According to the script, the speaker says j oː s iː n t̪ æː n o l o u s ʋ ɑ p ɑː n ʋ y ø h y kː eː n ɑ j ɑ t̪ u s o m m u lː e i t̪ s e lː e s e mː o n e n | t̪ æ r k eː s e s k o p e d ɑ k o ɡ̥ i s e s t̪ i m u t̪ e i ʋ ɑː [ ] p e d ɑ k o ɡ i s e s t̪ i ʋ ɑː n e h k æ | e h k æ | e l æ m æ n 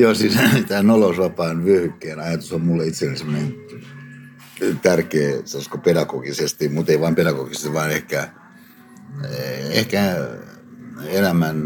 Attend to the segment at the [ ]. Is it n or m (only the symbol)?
m